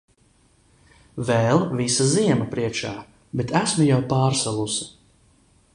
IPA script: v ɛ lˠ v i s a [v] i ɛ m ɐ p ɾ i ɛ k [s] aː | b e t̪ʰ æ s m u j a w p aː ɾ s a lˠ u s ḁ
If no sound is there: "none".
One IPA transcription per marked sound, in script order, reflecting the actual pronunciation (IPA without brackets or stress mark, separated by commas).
z, ʃ